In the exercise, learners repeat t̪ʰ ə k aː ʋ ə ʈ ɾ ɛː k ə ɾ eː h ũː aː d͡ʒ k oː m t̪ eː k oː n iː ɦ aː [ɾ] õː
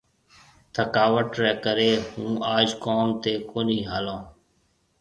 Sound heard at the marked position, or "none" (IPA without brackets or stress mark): l